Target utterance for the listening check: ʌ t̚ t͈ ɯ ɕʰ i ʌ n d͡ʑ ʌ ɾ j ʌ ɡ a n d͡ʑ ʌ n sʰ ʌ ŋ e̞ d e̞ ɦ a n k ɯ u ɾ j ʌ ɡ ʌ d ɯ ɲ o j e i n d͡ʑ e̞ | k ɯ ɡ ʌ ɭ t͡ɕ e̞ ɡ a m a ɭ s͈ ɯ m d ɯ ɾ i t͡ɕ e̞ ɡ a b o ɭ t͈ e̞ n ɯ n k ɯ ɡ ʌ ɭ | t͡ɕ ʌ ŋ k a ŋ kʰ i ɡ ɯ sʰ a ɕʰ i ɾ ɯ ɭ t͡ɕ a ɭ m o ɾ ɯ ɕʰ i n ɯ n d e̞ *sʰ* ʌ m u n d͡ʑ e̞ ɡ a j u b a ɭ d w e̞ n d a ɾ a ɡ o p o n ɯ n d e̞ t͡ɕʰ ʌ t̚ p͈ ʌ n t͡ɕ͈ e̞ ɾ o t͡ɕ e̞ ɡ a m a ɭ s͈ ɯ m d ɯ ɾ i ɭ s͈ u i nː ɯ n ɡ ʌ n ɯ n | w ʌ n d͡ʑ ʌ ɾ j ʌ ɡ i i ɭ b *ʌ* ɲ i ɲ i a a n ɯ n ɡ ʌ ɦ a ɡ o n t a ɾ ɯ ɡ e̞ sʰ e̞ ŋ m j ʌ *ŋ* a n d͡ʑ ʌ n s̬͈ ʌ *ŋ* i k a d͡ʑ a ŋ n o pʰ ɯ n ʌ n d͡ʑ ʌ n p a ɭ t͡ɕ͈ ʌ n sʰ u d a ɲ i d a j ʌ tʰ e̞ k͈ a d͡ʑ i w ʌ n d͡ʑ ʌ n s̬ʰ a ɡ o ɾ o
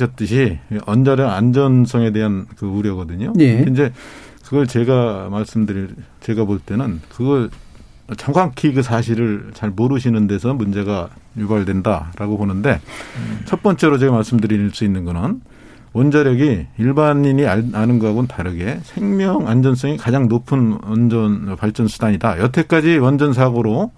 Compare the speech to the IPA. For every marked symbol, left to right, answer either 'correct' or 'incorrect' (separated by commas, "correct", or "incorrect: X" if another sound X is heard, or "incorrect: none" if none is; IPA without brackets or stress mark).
correct, incorrect: a, correct, correct